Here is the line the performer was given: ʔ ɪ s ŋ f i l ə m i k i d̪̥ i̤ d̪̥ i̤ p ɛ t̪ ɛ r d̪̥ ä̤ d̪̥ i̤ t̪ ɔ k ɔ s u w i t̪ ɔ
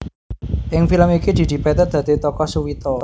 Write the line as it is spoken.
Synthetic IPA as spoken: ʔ ɪ ŋ f i l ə m i k i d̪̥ i̤ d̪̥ i̤ p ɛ t̪ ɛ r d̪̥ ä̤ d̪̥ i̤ t̪ ɔ k ɔ s u w i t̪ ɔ